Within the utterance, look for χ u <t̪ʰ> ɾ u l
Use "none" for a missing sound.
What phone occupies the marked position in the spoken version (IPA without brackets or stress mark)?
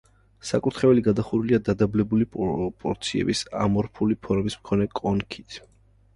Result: none